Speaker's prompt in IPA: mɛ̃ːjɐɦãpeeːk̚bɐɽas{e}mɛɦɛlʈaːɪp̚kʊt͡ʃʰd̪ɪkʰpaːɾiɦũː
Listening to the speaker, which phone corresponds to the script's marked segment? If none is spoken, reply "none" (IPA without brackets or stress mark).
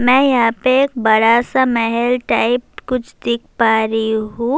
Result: a